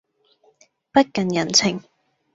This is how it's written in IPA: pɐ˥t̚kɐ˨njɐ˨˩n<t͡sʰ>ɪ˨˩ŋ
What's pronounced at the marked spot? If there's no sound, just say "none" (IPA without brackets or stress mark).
t͡sʰ